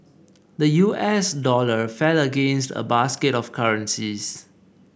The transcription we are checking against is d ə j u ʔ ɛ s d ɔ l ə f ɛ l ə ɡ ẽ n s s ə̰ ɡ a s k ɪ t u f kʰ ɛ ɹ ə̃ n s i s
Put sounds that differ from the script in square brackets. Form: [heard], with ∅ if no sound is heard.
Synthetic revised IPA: d ə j u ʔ ɛ s d ɔ l ə f ɛ l ə ɡ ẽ n s [t] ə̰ [b] a s k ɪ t [ɔ] f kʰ [a] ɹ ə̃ n s i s